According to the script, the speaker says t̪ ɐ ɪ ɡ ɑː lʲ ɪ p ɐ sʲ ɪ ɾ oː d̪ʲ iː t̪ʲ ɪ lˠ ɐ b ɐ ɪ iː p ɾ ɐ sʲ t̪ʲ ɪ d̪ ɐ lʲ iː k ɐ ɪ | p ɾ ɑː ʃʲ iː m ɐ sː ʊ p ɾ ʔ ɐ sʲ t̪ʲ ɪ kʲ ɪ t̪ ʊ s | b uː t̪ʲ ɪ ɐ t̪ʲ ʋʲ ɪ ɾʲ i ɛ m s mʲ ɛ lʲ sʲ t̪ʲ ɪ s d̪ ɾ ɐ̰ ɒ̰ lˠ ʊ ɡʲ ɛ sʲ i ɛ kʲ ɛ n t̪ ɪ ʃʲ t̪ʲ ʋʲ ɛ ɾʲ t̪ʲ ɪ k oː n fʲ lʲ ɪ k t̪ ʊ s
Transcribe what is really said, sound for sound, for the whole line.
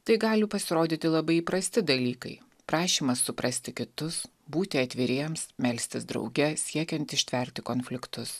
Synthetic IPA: t̪ ɐ ɪ ɡ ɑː lʲ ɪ p ɐ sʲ ɪ ɾ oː d̪ʲ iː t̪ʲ ɪ lˠ ɐ b ɐ ɪ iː p ɾ ɐ sʲ t̪ʲ ɪ d̪ ɐ lʲ iː k ɐ ɪ | p ɾ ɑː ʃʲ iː m ɐ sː ʊ p ɾ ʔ ɐ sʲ t̪ʲ ɪ kʲ ɪ t̪ ʊ s | b uː t̪ʲ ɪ ɐ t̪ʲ ʋʲ ɪ ɾʲ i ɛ m s mʲ ɛ lʲ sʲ t̪ʲ ɪ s d̪ ɾ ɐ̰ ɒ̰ ʊ ɡʲ ɛ sʲ i ɛ kʲ ɛ n t̪ ɪ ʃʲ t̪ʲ ʋʲ ɛ ɾʲ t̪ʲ ɪ k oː n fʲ lʲ ɪ k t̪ ʊ s